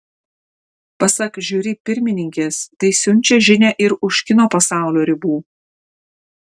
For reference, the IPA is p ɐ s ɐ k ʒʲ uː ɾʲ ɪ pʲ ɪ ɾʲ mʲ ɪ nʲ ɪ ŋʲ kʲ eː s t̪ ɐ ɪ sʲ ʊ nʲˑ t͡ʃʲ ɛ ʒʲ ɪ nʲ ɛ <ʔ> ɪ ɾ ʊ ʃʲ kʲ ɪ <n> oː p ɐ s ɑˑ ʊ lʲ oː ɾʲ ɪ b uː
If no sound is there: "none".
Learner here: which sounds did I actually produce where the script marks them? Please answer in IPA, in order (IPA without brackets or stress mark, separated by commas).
ʔ, n